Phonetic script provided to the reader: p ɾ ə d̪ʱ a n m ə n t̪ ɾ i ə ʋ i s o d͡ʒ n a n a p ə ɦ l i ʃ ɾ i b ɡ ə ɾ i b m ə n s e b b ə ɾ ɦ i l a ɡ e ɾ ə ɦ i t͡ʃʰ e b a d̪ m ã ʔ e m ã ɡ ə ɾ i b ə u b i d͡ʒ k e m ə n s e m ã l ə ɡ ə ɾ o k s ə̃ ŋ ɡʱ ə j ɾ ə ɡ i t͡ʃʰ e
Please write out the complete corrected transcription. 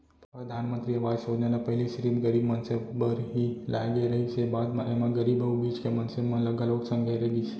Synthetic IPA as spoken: p ɾ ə d̪ʱ a n m ə n t̪ ɾ i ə ʋ a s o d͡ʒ n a n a p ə ɦ l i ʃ ɾ i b ɡ ə ɾ i b m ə n s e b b ə ɾ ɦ i l a ɡ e ɾ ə ɦ i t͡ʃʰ e b a d̪ m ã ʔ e m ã ɡ ə ɾ i b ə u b i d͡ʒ k e m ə n s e m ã l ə ɡ ə l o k s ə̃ ŋ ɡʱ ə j ɾ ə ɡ i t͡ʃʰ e

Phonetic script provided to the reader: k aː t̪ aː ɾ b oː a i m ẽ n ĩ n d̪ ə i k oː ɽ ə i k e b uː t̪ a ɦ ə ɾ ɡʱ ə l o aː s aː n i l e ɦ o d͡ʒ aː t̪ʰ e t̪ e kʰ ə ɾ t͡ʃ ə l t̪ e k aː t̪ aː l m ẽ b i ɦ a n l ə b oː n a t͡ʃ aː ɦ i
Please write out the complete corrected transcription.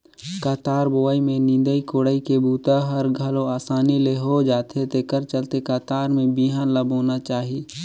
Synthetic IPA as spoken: k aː t̪ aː ɾ b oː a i m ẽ n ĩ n d̪ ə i k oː ɽ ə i k e b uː t̪ a ɦ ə ɾ ɡʱ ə l o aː s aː n i l e ɦ o d͡ʒ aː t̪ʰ e t̪ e k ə ɾ t͡ʃ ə l t̪ e k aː t̪ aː ɾ m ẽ b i ɦ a n l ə b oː n a t͡ʃ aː ɦ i

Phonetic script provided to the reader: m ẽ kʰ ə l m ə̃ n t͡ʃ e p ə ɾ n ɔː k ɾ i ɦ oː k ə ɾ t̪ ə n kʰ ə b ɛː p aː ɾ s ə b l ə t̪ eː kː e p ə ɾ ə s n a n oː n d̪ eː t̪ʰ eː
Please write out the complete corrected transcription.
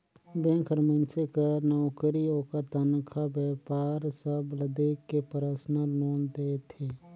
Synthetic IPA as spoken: b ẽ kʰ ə ɾ m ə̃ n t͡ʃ e k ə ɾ n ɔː k ɾ i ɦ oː k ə ɾ t̪ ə n kʰ a b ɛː p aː ɾ s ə b l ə d̪ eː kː e p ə ɾ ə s n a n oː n d̪ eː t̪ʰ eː

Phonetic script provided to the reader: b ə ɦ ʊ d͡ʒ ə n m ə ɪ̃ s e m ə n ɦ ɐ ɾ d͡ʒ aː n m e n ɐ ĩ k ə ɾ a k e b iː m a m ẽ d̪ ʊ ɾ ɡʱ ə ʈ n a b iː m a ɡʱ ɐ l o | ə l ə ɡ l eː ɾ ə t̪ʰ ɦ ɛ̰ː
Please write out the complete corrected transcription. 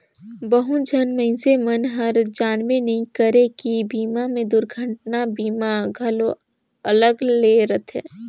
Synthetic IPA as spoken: b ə ɦ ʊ d͡ʒ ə n m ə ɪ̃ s e m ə n ɦ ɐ ɾ d͡ʒ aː n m e n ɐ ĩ k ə ɾ e k i b iː m a m ẽ d̪ ʊ ɾ ɡʱ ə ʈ n a b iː m a ɡʱ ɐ l o | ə l ə ɡ l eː ɾ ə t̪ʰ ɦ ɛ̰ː

